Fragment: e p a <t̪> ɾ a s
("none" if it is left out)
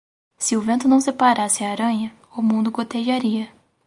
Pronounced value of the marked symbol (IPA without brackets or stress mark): none